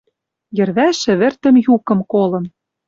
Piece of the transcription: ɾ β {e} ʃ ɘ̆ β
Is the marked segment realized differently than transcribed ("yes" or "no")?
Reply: yes